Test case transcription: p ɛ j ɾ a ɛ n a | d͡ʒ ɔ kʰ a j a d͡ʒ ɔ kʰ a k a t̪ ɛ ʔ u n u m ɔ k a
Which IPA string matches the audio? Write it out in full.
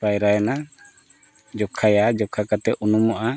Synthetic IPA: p a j ɾ a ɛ n a | d͡ʒ ɔ kʰ a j a d͡ʒ ɔ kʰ a k a t̪ ɛ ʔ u n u m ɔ ʔ a